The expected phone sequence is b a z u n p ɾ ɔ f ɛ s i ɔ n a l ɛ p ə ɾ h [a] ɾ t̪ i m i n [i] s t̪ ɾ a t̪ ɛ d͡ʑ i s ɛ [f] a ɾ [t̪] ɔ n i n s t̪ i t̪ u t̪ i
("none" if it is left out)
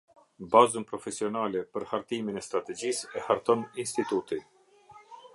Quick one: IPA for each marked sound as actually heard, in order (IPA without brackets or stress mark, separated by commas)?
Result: a, ɛ, h, t̪